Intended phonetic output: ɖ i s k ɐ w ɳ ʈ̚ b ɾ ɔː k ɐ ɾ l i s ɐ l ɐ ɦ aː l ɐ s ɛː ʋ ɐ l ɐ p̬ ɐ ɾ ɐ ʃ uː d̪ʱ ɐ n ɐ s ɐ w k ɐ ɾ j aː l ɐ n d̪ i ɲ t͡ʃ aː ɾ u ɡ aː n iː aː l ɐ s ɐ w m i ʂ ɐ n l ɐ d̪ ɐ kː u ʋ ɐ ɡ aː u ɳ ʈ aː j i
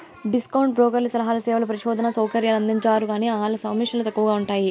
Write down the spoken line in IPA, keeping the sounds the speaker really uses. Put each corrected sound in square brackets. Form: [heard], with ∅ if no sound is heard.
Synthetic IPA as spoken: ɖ i s k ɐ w ɳ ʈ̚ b ɾ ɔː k ɐ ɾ l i s ɐ l ɐ ɦ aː l ɐ s ɛː ʋ ɐ l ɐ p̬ ɐ ɾ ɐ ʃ [ɔː] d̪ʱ ɐ n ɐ s ɐ w k ɐ ɾ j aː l ɐ n d̪ i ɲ t͡ʃ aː ɾ u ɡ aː n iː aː l ɐ s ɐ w m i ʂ ɐ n l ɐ [t̪] ɐ kː u ʋ ɐ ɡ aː u ɳ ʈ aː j i